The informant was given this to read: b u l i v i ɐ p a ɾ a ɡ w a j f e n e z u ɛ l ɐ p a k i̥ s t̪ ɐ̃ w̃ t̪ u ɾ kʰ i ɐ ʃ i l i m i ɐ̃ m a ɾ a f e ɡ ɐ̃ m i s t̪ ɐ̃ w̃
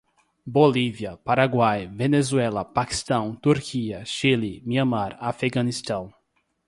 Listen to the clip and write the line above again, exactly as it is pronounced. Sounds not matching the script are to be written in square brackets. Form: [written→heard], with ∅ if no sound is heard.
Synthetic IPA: b [u→o] l i v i ɐ p a ɾ a ɡ w a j [f→v] e n e z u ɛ l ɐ p a k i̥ s t̪ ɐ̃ w̃ t̪ u ɾ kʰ i ɐ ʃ i l i m i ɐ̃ m a ɾ a f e ɡ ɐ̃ [m→n] i s t̪ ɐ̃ w̃